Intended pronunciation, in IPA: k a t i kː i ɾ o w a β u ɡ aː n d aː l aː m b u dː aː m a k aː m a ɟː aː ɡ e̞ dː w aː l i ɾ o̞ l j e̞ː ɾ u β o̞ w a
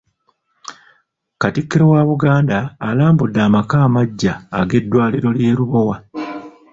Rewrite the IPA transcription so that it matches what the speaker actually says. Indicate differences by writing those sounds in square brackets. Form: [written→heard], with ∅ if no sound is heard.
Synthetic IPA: k a t i kː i ɾ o w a β u ɡ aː n d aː l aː m b u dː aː m a k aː m a ɟː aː ɡ e̞ dː w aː l i ɾ o̞ l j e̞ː ɾ u β o̞ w a